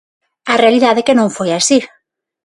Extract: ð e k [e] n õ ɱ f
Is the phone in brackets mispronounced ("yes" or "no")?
no